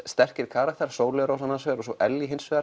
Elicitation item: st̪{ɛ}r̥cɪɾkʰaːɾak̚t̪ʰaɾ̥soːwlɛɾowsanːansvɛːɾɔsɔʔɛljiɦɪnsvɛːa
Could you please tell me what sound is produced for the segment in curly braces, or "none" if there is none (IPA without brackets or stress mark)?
ɛ